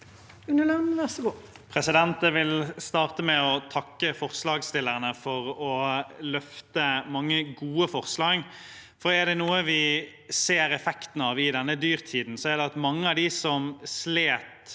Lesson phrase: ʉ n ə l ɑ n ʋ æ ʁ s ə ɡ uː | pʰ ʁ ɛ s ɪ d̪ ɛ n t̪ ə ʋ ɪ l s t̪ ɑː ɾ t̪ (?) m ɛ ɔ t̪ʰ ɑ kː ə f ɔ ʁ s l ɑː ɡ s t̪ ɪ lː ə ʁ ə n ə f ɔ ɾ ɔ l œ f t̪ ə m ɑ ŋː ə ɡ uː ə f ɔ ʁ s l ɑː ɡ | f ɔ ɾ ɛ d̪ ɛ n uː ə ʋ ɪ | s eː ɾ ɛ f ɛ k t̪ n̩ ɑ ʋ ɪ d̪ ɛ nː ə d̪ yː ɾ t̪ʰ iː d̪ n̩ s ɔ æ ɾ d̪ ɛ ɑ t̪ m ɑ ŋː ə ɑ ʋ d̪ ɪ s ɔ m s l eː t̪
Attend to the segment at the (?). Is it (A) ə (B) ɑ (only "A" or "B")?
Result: A